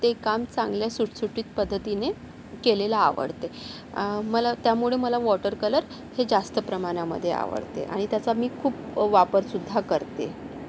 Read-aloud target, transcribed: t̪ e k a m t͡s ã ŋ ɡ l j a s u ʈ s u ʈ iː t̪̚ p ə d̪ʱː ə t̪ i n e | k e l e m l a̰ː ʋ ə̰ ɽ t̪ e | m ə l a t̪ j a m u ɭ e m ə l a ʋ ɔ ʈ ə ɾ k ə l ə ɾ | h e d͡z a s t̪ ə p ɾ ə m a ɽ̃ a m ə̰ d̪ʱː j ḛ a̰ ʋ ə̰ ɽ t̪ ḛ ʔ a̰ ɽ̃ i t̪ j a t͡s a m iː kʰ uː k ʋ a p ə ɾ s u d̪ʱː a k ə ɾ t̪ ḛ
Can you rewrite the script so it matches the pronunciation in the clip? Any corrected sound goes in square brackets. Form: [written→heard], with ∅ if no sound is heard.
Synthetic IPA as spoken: t̪ e k a m t͡s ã ŋ ɡ l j a s u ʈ s u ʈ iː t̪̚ p ə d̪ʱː ə t̪ i n e | k e l e [m→∅] l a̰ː ʋ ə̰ ɽ t̪ e | m ə l a t̪ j a m u ɭ e m ə l a ʋ ɔ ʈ ə ɾ k ə l ə ɾ | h e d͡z a s t̪ ə p ɾ ə m a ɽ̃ a m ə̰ d̪ʱː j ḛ a̰ ʋ ə̰ ɽ t̪ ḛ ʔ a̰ ɽ̃ i t̪ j a t͡s a m iː kʰ uː [k→p] ʋ a p ə ɾ s u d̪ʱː a k ə ɾ t̪ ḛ